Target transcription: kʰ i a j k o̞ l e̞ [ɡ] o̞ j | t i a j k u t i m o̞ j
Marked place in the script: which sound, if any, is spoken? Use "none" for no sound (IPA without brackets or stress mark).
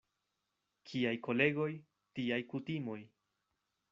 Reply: ɡ